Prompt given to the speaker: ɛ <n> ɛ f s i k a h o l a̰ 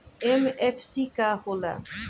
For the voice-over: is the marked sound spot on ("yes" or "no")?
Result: no